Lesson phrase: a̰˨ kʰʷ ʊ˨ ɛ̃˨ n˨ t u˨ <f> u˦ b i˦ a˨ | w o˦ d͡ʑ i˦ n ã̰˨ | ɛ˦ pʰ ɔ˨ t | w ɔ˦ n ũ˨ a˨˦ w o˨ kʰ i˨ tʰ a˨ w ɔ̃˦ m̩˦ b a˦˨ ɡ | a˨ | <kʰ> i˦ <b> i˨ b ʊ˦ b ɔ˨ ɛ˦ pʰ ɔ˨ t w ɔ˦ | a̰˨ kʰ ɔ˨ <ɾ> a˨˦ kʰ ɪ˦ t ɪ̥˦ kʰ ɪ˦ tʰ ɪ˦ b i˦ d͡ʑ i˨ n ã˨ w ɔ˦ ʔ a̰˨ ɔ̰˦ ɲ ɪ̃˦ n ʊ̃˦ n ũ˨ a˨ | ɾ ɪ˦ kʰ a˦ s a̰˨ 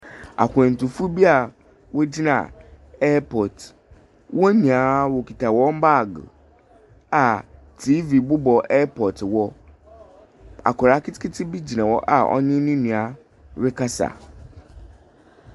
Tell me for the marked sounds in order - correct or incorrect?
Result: correct, incorrect: tʰ, incorrect: v, correct

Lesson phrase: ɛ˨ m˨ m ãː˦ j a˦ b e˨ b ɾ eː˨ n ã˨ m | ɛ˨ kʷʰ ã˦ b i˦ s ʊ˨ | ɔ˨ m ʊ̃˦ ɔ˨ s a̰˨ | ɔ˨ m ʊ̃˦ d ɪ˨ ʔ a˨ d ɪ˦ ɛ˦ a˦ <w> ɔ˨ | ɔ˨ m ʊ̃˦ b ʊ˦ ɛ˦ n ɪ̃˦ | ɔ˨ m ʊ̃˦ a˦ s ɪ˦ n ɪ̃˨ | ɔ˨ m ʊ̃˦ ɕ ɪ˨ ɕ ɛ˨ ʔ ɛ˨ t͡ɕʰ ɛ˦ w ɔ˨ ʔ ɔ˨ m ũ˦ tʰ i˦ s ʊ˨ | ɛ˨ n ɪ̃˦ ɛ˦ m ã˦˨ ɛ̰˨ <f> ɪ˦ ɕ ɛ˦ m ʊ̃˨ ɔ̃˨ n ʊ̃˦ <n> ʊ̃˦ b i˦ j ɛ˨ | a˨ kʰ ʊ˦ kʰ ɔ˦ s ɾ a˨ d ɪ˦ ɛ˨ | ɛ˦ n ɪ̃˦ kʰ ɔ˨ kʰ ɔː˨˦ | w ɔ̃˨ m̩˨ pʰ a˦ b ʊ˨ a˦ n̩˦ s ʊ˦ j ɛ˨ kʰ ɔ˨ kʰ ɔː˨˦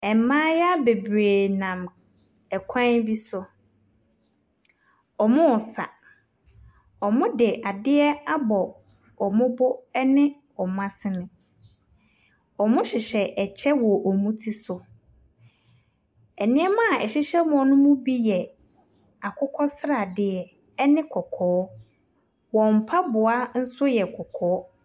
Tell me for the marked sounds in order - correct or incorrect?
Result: incorrect: b, incorrect: ɕ, incorrect: m

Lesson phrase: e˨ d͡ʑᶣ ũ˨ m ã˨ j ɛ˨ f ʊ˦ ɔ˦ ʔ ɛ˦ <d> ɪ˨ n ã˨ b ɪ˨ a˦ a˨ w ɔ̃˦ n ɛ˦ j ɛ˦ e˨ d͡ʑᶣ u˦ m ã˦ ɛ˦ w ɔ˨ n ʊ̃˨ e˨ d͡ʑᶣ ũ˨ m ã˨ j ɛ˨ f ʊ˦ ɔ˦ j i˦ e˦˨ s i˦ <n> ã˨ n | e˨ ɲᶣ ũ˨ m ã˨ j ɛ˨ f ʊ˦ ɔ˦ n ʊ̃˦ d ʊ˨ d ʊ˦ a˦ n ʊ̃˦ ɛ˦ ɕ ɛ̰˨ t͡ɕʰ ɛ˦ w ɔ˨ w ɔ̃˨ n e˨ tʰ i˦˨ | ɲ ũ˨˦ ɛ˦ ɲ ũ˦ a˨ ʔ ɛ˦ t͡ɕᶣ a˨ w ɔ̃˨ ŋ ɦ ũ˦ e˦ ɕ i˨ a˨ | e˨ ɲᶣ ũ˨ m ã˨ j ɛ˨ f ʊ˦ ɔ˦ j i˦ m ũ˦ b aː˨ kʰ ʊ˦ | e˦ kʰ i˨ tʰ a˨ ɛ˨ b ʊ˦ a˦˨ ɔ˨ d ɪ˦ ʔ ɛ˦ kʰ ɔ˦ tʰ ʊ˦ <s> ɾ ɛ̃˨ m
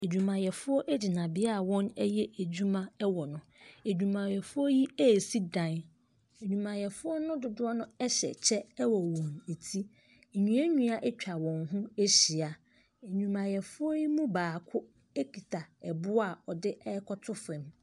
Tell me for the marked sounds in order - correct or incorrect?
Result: incorrect: d͡ʑ, incorrect: d, incorrect: f

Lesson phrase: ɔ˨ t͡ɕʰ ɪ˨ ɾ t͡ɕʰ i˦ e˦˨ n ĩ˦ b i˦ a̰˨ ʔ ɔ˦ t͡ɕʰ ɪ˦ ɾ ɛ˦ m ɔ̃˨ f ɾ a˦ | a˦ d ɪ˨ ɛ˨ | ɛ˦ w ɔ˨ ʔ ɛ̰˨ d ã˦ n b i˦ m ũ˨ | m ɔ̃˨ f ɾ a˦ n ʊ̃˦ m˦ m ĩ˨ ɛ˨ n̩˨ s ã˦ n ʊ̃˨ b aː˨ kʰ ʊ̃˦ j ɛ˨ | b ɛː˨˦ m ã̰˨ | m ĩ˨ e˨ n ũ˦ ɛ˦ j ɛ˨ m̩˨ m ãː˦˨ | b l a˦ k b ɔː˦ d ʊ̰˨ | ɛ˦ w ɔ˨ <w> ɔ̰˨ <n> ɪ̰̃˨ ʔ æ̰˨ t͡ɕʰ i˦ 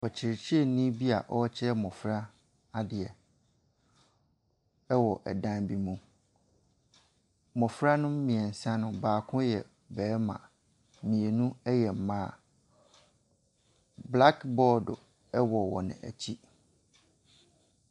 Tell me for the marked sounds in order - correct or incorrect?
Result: correct, correct

